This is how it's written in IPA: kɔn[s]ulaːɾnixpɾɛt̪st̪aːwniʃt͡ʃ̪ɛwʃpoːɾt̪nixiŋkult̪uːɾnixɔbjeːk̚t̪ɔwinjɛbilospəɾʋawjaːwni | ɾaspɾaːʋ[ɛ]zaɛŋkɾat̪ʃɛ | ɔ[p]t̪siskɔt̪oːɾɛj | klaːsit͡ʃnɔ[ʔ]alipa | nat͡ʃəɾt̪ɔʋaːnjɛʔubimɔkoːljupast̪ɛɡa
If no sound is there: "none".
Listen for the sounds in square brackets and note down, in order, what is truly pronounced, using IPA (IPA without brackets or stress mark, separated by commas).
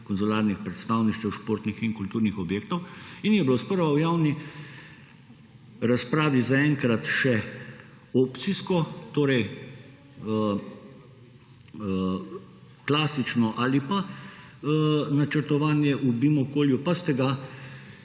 z, i, p, ʔ